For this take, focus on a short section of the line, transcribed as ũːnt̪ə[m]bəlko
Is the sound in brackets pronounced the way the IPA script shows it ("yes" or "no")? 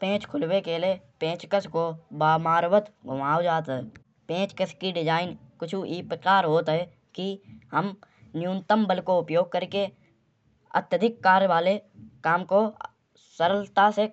yes